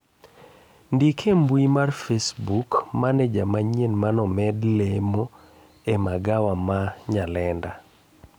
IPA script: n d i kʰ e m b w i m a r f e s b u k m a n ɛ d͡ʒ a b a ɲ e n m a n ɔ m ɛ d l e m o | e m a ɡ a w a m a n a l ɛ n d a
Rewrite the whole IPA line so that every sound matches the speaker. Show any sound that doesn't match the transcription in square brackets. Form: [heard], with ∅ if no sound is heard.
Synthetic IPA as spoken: n d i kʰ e m b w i m a r f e s b u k m a n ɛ d͡ʒ a [m] a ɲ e n m a n ɔ m ɛ d l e m o | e m a ɡ a w a m a [ɲ] a l ɛ n d a